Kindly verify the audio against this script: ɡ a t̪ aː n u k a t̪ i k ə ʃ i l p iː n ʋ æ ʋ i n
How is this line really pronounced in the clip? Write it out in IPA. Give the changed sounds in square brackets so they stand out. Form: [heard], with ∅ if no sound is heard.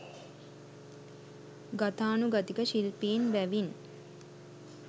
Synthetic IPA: ɡ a t̪ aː n u [ɡ] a t̪ i k ə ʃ i l p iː n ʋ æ ʋ i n